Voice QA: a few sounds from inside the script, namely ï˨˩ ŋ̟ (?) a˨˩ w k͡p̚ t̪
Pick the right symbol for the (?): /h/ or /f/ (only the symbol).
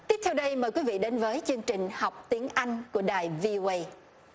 h